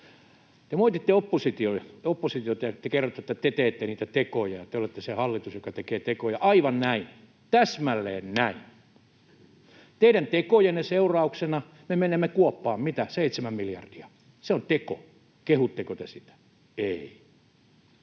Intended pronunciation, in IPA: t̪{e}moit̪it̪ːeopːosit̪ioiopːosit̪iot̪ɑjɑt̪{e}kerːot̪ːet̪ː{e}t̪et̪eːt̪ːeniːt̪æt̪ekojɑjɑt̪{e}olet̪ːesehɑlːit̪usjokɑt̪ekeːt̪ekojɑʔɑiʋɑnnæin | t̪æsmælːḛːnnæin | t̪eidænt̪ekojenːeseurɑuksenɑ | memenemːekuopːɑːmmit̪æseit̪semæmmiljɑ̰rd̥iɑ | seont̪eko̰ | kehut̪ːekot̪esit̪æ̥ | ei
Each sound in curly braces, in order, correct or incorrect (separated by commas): correct, correct, incorrect, correct